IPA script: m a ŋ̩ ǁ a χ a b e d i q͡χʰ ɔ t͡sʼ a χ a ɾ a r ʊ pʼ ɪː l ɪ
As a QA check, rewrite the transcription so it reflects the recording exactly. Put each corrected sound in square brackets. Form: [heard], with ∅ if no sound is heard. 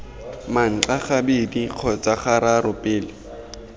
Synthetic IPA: m a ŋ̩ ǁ a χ a b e d i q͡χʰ ɔ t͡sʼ a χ a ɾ a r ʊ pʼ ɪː l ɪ

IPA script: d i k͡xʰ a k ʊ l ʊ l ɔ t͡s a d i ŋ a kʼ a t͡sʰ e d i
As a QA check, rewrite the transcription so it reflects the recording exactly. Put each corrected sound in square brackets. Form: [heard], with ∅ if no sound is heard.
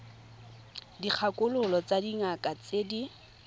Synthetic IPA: d i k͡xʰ a k ʊ l ʊ l ɔ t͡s a d i ŋ a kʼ a [t͡s] e d i

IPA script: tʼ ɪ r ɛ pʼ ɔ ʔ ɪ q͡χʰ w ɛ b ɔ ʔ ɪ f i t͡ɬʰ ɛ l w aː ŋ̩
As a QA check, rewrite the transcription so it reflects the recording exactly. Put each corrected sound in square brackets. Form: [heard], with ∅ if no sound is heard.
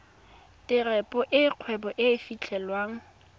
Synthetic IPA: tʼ ɪ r ɛ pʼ ɔ ʔ ɪ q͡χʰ w ɛ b ɔ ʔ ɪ f i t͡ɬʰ ɛ l w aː ŋ̩

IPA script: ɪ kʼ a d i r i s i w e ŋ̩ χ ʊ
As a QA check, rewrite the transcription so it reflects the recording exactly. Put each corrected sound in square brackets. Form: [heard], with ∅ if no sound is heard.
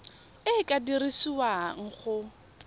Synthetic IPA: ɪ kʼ a d i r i s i w [a] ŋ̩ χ ʊ

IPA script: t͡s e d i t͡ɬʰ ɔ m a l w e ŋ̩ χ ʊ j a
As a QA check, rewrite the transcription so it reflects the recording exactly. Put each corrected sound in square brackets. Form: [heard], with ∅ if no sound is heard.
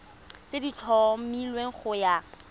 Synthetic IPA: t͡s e d i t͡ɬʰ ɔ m [i] l w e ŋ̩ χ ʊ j a

